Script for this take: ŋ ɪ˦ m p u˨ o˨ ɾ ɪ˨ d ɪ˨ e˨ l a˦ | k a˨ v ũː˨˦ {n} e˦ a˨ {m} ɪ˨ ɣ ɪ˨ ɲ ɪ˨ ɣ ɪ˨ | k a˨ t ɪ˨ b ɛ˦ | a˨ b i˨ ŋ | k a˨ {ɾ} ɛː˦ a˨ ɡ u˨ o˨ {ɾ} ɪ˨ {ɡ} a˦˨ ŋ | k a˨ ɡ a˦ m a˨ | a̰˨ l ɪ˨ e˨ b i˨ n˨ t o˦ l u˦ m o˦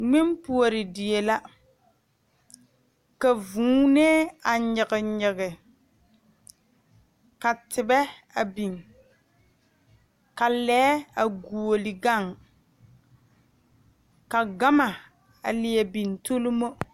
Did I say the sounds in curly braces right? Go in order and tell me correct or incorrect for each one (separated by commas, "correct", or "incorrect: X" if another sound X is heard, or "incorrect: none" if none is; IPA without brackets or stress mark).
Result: correct, incorrect: ɲ, incorrect: l, incorrect: l, correct